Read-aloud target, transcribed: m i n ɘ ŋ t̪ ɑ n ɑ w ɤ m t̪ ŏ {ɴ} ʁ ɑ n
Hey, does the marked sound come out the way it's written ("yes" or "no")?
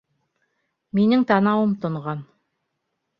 yes